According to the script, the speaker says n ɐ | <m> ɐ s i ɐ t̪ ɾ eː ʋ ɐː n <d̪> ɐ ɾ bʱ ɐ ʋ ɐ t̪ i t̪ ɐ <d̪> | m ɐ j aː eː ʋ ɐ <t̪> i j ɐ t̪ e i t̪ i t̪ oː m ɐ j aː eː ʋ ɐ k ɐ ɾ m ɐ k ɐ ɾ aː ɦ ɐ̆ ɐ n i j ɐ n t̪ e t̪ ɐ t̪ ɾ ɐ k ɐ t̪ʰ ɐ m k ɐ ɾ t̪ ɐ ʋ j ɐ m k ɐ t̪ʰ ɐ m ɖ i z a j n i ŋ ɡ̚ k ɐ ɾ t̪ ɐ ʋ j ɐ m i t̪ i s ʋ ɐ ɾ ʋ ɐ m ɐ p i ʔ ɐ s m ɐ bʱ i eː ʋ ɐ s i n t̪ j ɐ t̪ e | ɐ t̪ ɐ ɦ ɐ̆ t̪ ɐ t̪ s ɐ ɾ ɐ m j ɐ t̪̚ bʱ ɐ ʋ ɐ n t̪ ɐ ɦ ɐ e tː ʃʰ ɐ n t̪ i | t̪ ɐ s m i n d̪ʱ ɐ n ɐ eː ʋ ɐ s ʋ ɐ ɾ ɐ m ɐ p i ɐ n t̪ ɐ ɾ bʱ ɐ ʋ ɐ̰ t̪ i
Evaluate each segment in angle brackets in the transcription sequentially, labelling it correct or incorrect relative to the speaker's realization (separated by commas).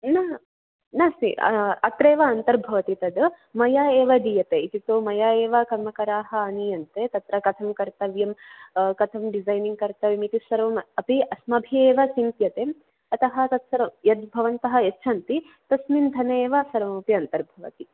incorrect, incorrect, correct, incorrect